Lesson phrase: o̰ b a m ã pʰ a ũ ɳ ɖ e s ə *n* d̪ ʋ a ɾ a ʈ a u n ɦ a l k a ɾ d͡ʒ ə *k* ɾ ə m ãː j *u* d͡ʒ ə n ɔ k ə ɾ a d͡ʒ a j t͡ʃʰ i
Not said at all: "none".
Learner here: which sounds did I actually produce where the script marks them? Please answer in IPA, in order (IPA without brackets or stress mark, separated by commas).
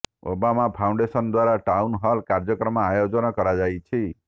n, k, o